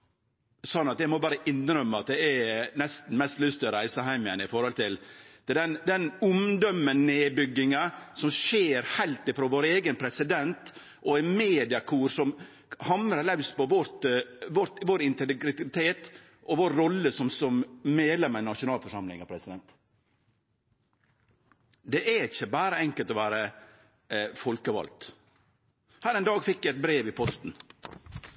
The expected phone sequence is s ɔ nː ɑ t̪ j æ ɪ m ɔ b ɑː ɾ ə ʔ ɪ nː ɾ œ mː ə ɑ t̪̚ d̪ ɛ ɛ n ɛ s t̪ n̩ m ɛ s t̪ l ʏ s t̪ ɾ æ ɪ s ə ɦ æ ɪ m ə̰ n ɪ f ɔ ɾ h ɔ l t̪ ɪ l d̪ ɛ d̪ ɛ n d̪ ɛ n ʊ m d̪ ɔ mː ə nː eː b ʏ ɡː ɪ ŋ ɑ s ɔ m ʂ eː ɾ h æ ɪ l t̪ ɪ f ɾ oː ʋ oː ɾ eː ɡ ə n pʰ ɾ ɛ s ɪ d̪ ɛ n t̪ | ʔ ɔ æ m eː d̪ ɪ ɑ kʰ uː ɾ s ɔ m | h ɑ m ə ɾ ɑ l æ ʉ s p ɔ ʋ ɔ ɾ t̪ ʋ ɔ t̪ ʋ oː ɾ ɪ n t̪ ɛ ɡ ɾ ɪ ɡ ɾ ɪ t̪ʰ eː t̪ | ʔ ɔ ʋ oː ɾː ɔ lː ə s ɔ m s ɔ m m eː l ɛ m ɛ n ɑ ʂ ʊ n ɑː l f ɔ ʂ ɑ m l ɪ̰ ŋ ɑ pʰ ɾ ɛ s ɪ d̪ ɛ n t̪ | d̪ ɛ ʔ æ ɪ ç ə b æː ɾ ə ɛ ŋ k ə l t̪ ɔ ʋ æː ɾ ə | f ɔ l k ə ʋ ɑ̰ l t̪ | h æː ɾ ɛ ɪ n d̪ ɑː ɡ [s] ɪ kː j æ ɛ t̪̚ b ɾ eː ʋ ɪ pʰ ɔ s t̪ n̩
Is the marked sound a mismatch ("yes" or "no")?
yes